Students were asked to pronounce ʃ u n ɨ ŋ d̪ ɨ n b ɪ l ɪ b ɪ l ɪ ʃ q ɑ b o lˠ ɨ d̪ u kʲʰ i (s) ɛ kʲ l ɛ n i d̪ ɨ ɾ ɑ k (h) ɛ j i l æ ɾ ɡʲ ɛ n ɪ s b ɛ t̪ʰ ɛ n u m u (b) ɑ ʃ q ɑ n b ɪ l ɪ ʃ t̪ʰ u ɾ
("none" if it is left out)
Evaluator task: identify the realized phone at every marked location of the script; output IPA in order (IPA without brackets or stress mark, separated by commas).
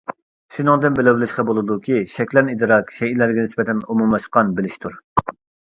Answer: ʃ, ʃ, m